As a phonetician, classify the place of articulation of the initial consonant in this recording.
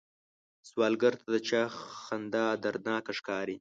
alveolar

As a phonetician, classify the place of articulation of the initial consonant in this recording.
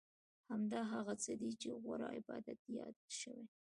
glottal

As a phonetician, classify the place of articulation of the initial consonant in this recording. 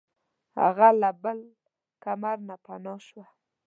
glottal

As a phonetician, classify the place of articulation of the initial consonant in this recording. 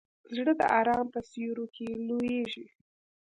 alveolar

